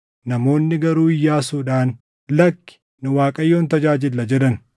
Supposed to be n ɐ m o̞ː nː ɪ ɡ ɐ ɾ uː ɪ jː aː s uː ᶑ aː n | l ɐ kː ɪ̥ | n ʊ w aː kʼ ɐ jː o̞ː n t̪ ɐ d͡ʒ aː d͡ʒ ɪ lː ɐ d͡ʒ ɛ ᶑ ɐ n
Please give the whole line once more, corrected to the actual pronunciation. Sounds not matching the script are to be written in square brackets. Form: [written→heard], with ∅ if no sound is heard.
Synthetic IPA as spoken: n ɐ m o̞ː nː ɪ ɡ ɐ ɾ uː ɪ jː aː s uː ᶑ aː n | l ɐ kː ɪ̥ | n ʊ w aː kʼ ɐ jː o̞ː n t̪ ɐ d͡ʒ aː d͡ʒ ɪ lː ɐ d͡ʒ ɛ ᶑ ɐ n